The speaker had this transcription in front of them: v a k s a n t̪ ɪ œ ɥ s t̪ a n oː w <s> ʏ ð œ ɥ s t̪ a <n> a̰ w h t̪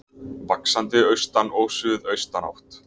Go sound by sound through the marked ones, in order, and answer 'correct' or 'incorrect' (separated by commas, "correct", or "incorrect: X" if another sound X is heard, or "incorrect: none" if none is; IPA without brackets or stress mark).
correct, correct